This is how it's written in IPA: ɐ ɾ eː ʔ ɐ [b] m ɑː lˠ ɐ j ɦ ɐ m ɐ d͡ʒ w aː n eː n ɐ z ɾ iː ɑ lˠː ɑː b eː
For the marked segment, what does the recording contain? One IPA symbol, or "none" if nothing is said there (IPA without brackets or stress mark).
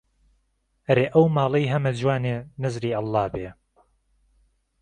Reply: w